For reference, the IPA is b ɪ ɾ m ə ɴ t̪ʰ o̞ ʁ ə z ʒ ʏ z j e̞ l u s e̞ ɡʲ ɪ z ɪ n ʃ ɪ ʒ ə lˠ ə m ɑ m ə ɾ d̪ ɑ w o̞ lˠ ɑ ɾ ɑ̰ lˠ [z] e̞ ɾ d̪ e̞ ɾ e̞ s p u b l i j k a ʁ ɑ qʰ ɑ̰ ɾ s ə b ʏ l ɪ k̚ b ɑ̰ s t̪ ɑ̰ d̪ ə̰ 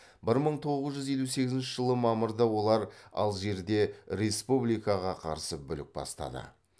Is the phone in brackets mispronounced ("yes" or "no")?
yes